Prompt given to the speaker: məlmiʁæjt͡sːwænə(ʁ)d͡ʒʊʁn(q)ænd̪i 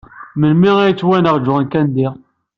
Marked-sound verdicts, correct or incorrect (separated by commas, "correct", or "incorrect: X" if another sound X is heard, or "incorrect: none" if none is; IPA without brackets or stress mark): correct, incorrect: k